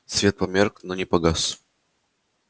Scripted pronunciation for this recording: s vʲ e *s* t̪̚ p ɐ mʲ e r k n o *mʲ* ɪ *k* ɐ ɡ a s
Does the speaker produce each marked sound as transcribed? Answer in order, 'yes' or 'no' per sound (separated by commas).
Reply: no, no, no